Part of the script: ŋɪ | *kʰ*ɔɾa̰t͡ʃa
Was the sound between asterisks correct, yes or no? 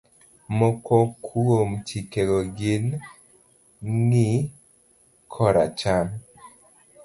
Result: yes